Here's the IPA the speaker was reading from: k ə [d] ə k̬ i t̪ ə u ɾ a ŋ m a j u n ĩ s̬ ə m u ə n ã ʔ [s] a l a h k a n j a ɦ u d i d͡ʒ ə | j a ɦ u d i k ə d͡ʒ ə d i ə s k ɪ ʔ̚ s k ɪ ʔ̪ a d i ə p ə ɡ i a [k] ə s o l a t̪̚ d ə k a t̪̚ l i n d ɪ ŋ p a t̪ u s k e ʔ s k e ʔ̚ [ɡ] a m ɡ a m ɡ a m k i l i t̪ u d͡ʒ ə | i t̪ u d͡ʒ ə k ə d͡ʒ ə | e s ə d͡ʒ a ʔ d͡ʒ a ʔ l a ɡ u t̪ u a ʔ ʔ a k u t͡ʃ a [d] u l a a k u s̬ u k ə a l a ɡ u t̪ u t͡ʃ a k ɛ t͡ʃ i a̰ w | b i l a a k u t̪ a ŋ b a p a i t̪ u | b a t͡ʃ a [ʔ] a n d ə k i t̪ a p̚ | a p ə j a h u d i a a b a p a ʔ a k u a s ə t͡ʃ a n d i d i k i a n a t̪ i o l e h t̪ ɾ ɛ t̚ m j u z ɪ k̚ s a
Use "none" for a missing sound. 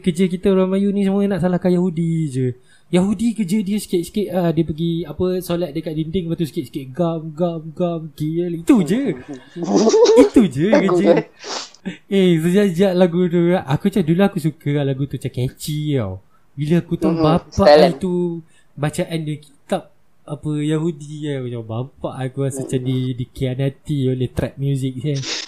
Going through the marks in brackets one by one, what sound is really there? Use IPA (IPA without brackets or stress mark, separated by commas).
d͡ʒ, s, p, ɡ, d, ʔ